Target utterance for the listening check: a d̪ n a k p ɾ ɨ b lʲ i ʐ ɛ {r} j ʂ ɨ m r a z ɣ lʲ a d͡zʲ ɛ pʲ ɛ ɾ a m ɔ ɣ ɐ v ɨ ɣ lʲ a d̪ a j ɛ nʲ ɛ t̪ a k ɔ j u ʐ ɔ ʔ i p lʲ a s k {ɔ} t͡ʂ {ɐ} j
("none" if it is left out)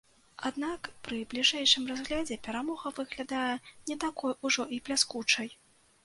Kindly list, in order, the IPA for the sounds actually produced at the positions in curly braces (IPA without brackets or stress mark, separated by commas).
none, u, ɐ